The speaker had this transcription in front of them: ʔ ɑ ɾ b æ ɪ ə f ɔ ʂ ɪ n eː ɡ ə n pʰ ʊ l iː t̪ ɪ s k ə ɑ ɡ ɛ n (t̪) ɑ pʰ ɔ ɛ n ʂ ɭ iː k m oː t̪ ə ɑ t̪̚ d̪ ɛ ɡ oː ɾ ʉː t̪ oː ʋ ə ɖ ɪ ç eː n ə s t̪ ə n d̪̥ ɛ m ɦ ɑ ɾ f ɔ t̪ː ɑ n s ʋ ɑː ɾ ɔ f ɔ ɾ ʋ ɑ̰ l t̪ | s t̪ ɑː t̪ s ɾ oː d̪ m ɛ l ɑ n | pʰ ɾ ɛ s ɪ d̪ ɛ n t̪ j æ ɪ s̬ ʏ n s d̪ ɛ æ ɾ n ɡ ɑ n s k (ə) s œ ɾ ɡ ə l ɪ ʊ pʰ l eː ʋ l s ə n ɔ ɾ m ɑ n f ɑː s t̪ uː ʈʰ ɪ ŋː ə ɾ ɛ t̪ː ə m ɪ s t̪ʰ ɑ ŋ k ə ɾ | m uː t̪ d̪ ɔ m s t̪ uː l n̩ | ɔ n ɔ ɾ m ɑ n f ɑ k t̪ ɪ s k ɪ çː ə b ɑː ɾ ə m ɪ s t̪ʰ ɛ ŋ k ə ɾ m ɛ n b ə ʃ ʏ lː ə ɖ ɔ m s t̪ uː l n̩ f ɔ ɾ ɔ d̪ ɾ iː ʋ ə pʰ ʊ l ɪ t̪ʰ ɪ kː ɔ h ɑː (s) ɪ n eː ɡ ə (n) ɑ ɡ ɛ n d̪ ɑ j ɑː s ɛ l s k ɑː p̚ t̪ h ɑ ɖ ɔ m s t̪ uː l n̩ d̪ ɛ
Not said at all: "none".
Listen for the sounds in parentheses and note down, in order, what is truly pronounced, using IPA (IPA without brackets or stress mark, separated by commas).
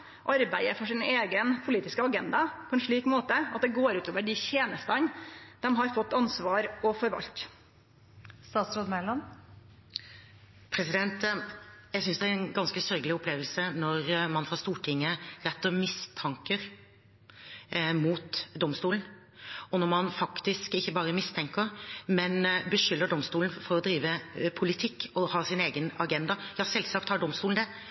d̪, ə, s, n